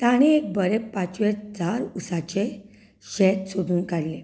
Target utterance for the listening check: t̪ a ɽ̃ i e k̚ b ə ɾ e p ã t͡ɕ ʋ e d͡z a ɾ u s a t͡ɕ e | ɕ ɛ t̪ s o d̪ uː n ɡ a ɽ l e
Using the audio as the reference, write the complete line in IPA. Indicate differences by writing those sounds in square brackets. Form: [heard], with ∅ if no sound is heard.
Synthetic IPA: t̪ a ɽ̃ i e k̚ b ə ɾ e p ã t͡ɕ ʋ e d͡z a ɾ u s a t͡ɕ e | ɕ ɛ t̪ s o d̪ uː n [k] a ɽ l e